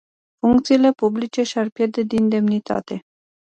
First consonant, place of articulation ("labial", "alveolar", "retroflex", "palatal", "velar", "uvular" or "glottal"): labial